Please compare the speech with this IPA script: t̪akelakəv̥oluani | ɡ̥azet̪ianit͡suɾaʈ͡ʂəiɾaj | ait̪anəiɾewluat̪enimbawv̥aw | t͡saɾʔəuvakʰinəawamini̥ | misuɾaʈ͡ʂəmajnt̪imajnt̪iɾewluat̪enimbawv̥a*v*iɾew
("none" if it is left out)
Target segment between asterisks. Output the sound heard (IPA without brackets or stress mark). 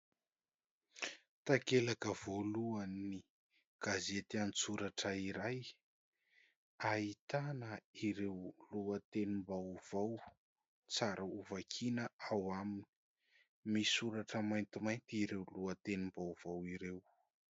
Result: w